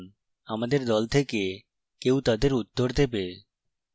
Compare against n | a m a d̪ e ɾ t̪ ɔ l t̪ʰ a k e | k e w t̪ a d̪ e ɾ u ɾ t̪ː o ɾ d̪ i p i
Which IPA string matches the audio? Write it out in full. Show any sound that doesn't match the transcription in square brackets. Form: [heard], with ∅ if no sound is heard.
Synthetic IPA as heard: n | a m a d̪ e ɾ [d̪] ɔ l t̪ʰ [e] k e | k e w t̪ a d̪ e ɾ u [∅] t̪ː o ɾ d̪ [e] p [e]